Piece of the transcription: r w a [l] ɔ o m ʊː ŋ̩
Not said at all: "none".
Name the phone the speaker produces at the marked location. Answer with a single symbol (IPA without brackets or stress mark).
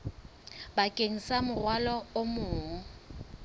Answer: l